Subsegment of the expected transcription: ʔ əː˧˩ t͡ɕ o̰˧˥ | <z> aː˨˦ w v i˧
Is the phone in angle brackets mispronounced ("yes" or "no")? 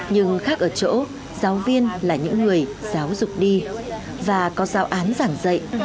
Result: no